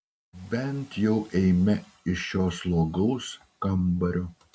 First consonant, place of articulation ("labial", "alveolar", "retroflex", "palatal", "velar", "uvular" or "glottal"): labial